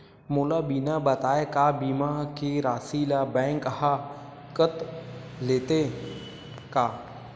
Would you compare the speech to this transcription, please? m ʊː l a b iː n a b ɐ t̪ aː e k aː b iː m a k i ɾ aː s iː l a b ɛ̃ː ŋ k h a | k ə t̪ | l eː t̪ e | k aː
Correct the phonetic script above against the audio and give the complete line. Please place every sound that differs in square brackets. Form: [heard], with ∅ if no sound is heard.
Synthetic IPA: m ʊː l a b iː n a b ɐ t̪ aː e k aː b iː m a k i ɾ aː s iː l a b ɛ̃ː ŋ k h a | k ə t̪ | l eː t̪ e | k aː